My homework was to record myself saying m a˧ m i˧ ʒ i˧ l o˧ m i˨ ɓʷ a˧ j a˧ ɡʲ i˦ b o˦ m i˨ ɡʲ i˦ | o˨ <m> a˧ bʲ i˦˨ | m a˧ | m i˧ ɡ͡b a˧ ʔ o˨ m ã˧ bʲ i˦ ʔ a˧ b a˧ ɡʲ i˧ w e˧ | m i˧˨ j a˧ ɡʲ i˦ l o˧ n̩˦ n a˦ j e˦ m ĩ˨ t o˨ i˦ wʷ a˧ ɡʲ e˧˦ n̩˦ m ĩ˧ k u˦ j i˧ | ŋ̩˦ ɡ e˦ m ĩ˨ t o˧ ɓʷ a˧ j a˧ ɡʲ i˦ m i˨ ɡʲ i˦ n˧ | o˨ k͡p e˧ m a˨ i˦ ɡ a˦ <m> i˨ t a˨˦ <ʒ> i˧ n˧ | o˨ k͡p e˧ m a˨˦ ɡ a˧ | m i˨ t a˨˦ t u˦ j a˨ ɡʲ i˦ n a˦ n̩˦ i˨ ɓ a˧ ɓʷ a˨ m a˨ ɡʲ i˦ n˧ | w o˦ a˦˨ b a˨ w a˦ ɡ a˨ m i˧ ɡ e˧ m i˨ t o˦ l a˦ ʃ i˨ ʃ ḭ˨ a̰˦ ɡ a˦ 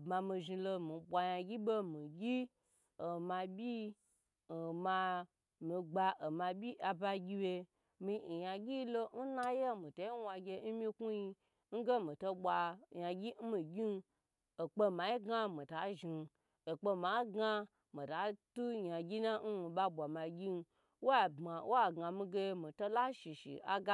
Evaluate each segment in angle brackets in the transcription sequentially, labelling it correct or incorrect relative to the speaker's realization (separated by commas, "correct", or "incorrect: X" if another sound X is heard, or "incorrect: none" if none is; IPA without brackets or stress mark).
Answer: correct, correct, correct